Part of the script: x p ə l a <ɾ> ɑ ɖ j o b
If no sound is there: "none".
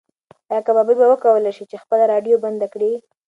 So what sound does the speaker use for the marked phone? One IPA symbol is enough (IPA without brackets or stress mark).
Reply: ɾ